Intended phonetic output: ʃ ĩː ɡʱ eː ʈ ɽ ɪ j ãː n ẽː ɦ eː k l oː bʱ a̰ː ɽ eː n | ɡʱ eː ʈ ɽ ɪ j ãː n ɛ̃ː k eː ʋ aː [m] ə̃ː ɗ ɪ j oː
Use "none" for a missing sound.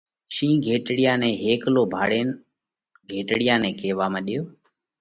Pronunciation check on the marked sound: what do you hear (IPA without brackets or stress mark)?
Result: m